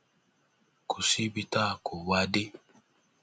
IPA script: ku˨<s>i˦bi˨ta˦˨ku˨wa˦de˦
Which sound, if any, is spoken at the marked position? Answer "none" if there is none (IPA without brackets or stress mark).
s